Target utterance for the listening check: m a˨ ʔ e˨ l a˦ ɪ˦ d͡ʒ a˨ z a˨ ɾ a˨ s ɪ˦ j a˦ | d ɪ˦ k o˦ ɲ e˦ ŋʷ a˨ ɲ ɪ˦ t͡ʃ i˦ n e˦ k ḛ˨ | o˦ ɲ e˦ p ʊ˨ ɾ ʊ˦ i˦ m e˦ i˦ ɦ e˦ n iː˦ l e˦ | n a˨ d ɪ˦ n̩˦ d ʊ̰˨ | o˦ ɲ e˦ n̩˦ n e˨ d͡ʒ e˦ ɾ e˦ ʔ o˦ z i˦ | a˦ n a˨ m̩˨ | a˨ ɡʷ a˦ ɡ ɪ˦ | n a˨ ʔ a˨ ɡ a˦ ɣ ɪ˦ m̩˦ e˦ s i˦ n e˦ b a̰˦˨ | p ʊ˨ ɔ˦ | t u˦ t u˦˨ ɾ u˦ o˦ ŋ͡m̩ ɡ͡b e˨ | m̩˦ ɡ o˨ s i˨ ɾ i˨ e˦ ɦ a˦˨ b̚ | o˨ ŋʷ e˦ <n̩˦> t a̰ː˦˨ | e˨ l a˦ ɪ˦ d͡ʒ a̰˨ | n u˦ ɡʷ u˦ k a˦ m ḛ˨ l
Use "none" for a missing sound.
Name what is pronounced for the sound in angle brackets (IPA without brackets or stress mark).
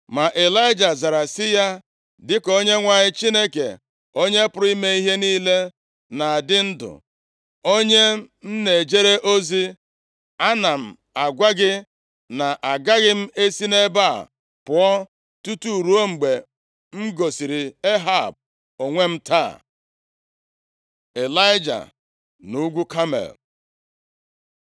m̩˦